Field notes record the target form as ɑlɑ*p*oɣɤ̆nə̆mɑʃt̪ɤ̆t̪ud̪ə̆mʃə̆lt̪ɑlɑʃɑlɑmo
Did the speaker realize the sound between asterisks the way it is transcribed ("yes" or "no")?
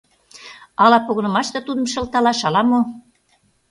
yes